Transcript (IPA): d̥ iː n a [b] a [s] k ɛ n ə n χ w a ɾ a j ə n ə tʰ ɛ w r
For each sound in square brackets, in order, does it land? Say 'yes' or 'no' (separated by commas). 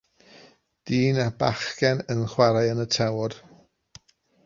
yes, no